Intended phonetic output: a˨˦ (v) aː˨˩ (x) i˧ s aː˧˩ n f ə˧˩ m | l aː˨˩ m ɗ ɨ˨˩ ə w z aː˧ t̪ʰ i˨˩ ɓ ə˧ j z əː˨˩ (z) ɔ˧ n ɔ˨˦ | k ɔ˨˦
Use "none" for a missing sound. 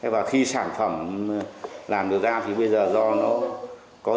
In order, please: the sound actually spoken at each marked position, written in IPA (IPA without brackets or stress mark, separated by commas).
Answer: v, x, z